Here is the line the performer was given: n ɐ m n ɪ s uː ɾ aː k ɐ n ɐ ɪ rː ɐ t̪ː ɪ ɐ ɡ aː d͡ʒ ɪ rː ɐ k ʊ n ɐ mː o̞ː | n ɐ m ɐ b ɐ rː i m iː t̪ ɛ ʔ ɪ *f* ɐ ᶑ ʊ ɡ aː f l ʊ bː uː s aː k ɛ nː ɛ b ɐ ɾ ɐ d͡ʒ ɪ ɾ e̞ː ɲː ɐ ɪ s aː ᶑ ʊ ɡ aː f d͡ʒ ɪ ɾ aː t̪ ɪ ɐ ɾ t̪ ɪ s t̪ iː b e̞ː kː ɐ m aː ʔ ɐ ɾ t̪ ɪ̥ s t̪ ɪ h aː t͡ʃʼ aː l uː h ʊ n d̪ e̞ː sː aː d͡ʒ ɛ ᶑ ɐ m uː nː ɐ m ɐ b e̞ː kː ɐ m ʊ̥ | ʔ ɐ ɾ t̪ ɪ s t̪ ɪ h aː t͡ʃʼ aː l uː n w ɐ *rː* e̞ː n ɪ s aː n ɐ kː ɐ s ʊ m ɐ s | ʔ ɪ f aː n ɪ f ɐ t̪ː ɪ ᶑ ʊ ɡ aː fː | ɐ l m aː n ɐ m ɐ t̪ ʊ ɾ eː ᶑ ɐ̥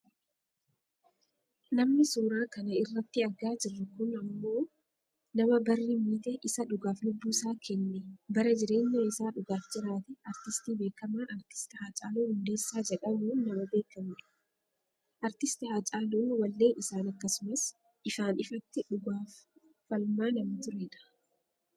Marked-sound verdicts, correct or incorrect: incorrect: s, incorrect: lː

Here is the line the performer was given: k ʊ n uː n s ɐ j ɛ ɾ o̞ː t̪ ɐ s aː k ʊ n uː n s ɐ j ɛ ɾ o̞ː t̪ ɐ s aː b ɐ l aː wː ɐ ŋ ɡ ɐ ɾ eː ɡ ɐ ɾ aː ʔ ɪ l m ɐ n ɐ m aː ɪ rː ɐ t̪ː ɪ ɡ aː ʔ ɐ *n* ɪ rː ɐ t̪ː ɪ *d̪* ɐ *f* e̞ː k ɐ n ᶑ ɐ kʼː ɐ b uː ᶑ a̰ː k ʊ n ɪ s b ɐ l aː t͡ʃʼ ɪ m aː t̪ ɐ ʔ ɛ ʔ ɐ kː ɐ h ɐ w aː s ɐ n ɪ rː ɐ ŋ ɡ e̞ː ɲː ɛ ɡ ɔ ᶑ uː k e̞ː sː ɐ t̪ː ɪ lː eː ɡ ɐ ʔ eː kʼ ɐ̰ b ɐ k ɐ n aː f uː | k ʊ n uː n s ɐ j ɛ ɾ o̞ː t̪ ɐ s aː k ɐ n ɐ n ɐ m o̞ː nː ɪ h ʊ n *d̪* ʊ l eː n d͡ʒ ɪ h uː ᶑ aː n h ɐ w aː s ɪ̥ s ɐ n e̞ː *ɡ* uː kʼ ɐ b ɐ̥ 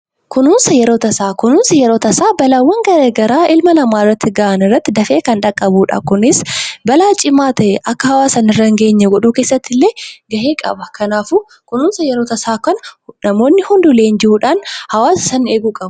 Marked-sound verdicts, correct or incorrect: correct, correct, correct, correct, correct

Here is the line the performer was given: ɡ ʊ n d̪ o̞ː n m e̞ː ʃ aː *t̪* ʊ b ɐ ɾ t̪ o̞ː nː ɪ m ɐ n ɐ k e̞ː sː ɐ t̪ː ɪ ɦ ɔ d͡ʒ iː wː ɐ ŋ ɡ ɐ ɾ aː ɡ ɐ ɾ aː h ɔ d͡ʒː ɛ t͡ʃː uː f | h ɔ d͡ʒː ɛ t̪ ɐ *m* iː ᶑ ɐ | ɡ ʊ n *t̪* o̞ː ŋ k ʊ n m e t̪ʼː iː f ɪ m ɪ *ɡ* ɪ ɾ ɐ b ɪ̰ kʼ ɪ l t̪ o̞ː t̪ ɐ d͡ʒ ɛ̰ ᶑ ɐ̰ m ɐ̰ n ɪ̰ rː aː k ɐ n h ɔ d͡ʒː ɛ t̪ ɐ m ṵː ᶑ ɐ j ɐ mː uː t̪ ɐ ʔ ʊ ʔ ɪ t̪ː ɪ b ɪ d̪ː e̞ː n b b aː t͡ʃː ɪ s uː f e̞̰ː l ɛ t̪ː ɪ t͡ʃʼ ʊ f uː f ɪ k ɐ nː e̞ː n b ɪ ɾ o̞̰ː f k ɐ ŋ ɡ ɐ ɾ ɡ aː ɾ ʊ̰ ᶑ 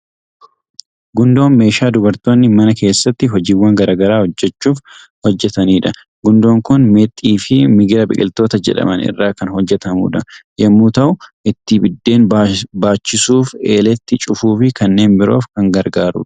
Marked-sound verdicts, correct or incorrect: incorrect: d̪, incorrect: n, incorrect: d̪, correct

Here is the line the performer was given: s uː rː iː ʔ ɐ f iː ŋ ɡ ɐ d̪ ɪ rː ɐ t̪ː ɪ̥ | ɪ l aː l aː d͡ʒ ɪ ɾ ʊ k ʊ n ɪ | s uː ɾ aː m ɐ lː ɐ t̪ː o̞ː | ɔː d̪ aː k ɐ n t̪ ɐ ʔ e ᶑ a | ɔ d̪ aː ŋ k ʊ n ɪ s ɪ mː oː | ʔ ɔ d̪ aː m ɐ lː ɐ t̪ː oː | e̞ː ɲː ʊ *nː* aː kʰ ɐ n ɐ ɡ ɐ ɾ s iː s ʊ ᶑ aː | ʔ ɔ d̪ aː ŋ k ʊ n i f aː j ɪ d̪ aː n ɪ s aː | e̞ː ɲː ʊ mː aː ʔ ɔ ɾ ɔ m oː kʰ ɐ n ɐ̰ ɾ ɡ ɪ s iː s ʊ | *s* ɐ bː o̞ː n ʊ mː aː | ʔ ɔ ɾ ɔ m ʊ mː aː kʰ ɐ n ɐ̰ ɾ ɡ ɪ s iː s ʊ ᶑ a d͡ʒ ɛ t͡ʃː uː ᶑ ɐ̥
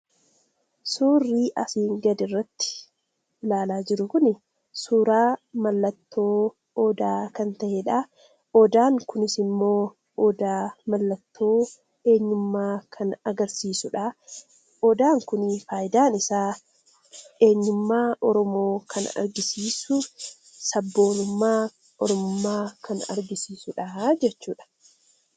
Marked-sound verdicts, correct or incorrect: incorrect: mː, correct

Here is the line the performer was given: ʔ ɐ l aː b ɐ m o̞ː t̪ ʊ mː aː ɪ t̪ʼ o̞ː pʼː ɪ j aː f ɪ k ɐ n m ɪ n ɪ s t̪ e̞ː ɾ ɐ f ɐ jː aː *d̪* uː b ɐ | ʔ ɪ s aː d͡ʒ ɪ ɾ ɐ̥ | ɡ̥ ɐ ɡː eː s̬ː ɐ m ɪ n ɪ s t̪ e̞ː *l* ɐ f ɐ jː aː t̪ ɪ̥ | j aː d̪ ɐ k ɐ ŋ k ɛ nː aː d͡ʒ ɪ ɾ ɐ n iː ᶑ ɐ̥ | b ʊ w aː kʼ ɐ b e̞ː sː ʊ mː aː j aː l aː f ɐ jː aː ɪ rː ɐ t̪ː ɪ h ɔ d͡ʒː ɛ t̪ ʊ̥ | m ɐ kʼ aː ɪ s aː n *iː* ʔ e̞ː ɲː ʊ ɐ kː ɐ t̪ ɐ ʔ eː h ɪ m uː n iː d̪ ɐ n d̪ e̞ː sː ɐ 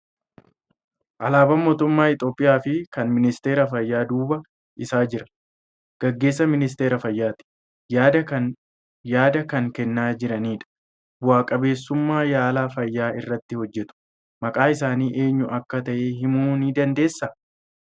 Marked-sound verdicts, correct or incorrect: correct, incorrect: ɾ, correct

